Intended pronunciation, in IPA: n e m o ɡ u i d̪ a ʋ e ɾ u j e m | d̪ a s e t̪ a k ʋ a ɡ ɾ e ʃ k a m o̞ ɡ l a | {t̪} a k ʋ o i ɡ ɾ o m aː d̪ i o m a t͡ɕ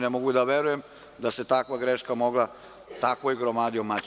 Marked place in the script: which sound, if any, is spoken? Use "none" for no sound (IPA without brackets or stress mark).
t̪